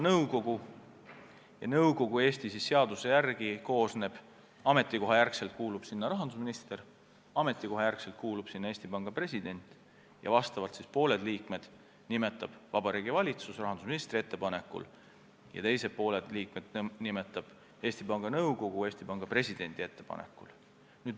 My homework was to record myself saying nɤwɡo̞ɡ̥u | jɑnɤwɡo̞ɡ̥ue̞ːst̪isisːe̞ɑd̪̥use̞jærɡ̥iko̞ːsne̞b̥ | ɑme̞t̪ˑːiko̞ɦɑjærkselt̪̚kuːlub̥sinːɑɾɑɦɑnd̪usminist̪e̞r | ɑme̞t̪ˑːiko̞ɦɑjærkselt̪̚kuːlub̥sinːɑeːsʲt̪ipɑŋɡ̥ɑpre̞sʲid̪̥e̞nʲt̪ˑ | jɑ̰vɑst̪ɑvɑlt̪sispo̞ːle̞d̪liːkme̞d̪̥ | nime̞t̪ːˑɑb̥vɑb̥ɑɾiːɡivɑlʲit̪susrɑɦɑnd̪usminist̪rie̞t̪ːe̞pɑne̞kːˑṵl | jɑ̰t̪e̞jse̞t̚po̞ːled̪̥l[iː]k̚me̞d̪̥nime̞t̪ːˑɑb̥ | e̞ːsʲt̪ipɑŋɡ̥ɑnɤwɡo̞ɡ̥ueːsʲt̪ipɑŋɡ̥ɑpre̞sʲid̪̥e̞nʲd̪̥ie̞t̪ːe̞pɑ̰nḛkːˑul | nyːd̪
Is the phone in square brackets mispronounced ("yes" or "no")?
no